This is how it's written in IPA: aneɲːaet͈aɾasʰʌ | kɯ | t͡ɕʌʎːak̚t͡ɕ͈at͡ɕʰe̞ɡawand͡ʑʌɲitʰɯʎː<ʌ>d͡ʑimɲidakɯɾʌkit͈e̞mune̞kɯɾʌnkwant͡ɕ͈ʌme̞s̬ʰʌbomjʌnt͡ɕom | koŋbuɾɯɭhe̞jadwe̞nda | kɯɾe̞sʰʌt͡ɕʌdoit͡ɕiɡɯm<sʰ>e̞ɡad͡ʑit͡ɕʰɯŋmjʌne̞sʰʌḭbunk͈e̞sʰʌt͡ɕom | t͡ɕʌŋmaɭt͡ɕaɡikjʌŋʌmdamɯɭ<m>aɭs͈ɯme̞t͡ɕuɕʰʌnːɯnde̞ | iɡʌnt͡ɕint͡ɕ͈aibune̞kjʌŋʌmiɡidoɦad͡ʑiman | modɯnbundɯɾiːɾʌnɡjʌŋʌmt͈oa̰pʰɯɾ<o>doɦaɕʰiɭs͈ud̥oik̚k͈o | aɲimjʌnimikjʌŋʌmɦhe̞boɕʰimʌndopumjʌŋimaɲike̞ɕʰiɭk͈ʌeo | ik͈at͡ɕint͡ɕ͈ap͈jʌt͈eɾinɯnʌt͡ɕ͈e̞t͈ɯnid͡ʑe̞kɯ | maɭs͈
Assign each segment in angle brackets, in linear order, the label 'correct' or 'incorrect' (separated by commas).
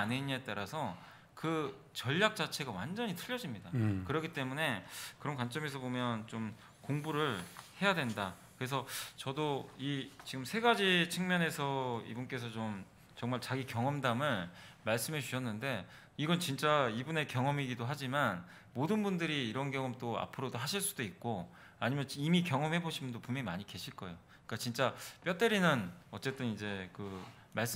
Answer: correct, correct, correct, correct